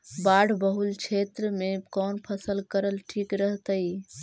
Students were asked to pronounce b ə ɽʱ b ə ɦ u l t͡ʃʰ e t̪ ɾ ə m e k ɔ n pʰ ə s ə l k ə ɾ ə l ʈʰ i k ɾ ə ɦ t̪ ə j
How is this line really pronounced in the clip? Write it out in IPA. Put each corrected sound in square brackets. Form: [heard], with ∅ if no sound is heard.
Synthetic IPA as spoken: b [a] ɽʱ b ə ɦ u l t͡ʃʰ e t̪ ɾ ə m e k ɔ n pʰ ə s ə l k ə ɾ ə l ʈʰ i k ɾ ə ɦ t̪ ə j